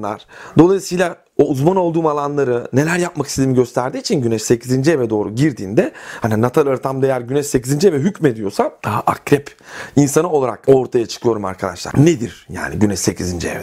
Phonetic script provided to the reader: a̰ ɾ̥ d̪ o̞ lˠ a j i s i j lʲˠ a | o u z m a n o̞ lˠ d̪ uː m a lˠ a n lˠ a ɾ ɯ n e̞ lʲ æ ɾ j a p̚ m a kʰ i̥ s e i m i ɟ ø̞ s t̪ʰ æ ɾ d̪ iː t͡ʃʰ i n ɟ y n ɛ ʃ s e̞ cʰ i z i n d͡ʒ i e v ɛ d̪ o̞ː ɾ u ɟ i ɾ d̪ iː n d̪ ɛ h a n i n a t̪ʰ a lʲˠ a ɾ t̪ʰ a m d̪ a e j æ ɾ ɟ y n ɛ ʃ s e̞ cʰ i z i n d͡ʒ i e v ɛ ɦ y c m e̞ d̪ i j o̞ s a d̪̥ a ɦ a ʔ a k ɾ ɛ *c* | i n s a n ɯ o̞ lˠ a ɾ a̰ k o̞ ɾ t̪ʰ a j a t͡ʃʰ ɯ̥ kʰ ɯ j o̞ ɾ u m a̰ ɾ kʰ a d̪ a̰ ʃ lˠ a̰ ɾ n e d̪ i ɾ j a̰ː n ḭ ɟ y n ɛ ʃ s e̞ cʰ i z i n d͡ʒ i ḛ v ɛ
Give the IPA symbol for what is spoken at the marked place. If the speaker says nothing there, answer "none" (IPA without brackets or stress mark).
p